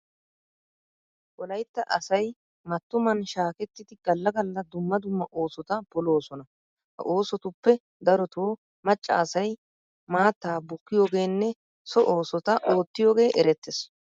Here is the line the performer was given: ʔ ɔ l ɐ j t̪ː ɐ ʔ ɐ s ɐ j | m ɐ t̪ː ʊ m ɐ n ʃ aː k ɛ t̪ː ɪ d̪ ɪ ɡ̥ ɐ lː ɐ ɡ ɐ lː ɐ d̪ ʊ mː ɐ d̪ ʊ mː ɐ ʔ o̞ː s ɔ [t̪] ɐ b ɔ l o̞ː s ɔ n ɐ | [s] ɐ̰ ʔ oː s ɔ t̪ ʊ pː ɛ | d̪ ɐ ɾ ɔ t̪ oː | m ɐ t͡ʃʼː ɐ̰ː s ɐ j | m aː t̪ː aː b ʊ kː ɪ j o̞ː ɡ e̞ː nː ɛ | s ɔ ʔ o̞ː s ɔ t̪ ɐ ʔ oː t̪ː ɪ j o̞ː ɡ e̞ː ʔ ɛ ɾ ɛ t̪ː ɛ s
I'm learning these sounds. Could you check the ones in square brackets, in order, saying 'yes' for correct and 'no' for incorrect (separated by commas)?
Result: yes, no